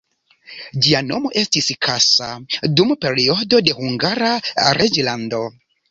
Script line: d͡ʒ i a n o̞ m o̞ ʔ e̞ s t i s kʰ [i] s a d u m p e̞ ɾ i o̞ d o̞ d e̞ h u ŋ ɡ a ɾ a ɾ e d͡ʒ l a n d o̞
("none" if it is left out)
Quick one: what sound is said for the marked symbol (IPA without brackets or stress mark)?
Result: a